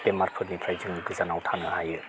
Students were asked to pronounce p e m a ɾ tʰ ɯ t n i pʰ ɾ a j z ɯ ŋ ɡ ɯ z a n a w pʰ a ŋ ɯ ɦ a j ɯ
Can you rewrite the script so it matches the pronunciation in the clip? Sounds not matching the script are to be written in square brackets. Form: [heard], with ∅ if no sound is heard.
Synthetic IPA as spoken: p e m a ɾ [pʰ] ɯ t n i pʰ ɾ a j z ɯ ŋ ɡ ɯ z a n a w [tʰ] a [n] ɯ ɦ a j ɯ